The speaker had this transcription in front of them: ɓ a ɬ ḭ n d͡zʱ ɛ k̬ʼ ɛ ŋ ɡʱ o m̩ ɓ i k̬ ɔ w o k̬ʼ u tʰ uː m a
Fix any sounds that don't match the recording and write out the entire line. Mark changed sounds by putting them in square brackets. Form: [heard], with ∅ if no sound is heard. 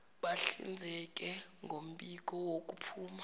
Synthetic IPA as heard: ɓ a ɬ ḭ n d͡zʱ ɛ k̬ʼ ɛ ŋ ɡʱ o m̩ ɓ i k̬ ɔ w o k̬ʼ u [pʰ] uː m a